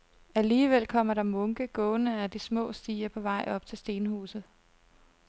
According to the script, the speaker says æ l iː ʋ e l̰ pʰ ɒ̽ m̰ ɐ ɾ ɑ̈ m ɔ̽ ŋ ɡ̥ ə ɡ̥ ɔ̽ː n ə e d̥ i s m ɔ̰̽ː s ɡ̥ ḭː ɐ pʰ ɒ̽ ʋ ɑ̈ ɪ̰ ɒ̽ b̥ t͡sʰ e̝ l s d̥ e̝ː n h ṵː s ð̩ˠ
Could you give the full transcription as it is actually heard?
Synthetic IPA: æ l iː ʋ e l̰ kʰ ɒ̽ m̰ ɐ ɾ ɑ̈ m ɔ̽ ŋ ɡ̥ ə ɡ̥ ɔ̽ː n ə æ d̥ i s m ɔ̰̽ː s d̥ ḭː ɐ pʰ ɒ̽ ʋ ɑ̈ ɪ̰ ɒ̽ b̥ t͡sʰ e̝ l s d̥ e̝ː n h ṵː s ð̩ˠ